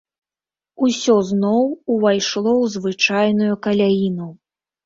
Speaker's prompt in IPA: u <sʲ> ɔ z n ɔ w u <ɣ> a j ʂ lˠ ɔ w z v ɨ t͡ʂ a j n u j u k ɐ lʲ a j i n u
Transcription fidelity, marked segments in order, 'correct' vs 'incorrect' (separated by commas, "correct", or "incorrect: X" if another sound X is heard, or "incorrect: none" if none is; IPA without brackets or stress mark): correct, incorrect: v